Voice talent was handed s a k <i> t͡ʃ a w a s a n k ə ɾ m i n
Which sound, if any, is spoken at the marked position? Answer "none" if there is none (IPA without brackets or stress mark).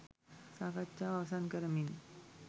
a